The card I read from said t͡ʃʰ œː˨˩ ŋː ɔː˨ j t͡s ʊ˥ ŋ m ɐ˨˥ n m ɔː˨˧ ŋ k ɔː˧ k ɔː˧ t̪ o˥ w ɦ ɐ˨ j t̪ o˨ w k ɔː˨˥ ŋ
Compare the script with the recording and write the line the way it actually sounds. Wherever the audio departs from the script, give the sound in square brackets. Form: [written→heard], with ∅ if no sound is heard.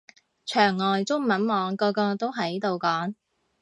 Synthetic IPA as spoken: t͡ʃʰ œː˨˩ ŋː ɔː˨ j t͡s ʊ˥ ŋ m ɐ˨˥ n m ɔː˨˧ ŋ k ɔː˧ k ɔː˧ t̪ o˥ w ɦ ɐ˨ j t̪ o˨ w k ɔː˨˥ ŋ